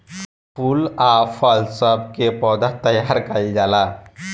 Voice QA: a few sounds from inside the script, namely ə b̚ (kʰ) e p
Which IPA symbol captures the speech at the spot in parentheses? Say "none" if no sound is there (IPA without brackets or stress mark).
k